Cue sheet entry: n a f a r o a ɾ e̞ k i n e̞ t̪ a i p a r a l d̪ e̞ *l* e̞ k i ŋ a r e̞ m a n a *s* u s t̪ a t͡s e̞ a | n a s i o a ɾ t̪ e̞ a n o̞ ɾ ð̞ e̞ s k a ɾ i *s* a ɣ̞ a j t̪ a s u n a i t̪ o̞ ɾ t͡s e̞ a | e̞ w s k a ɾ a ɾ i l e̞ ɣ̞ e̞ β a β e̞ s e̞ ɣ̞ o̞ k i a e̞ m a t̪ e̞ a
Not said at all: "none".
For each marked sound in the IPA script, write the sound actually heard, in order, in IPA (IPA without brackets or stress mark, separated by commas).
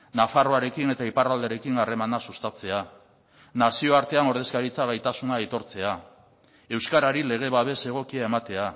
ɾ, s, t͡s